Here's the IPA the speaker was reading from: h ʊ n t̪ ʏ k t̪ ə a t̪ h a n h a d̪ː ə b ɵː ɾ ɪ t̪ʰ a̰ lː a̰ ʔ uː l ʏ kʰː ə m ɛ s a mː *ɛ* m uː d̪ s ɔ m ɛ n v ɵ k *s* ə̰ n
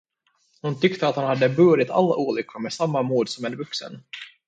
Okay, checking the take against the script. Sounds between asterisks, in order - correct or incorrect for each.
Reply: incorrect: a, correct

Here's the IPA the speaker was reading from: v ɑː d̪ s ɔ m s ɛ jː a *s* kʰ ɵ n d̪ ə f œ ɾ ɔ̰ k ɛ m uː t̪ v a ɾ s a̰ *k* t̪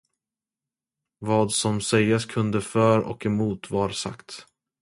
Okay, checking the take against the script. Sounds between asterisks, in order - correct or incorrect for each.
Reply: correct, correct

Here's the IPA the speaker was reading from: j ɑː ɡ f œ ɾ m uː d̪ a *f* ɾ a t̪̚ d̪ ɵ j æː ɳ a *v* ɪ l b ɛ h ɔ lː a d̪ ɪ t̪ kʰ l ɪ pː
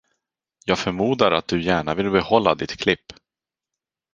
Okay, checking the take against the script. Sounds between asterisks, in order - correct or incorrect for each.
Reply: incorrect: none, correct

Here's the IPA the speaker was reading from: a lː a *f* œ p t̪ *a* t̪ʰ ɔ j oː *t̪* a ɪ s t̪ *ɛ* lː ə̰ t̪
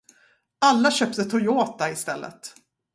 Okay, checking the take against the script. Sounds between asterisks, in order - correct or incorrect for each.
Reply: incorrect: ɕ, incorrect: ə, correct, correct

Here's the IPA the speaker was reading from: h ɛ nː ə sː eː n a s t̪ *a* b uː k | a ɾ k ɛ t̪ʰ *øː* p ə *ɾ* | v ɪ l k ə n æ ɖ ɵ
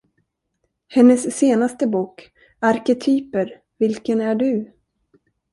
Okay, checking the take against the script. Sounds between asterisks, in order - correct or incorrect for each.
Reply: incorrect: ə, incorrect: yː, correct

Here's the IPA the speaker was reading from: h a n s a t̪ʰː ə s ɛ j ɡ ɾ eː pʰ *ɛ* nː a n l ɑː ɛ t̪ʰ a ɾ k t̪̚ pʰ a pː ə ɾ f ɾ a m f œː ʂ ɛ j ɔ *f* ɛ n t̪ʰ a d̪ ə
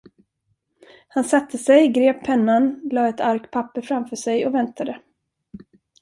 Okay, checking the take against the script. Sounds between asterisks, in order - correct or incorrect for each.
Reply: correct, incorrect: v

